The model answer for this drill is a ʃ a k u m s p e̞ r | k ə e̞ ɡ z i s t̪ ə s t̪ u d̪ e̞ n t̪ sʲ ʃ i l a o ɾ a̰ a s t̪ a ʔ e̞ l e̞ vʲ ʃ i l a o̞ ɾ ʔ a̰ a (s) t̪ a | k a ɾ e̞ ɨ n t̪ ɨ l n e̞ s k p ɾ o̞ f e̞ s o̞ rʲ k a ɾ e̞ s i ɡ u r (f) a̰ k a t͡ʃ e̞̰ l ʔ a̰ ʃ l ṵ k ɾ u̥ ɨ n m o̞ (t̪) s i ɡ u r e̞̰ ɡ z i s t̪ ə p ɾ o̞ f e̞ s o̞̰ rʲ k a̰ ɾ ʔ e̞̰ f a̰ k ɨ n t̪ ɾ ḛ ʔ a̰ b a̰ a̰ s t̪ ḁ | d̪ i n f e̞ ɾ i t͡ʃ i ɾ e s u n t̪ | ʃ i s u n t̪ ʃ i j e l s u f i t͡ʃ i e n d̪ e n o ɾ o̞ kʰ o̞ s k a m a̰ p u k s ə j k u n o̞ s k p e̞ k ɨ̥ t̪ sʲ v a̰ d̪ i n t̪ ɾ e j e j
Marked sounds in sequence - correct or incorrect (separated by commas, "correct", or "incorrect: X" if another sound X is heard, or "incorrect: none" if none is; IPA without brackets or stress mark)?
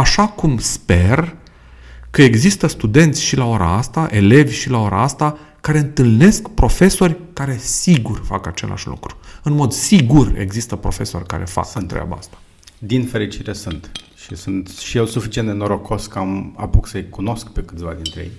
correct, correct, incorrect: d̪